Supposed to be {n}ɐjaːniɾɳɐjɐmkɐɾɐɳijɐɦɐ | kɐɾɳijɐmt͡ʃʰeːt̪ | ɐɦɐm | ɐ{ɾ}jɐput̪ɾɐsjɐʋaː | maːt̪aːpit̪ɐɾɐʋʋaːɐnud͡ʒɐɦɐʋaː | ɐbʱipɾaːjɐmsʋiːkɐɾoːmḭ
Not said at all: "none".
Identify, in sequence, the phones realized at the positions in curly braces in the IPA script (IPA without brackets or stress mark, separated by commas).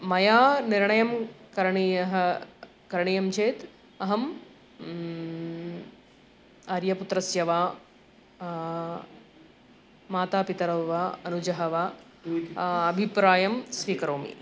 m, ɾ